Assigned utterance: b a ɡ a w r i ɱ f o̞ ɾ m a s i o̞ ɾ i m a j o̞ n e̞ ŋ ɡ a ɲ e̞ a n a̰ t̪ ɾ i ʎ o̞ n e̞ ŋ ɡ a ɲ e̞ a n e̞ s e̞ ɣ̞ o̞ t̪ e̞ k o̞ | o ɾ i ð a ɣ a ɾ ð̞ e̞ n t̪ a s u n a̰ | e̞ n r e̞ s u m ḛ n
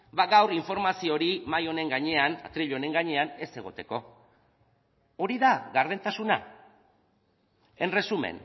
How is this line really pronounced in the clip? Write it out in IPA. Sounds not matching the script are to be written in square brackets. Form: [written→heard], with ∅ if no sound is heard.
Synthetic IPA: b a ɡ a w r i ɱ f o̞ ɾ m a s i o̞ ɾ i m a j o̞ n e̞ ŋ ɡ a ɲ e̞ a n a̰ t̪ ɾ i ʎ o̞ n e̞ ŋ ɡ a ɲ e̞ a n e̞ s e̞ ɣ̞ o̞ t̪ e̞ k o̞ | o ɾ i ð a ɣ a ɾ ð̞ e̞ n t̪ a s u n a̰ | e̞ n r e̞ s u m ḛ n